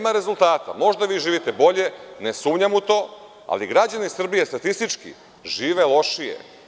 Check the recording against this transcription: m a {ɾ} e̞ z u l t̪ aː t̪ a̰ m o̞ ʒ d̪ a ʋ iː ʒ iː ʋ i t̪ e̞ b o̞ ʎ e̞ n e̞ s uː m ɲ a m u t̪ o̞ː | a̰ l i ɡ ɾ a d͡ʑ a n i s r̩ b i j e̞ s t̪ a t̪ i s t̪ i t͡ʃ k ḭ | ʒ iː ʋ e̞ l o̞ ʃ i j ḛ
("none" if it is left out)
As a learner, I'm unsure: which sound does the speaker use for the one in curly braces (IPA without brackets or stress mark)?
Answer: ɾ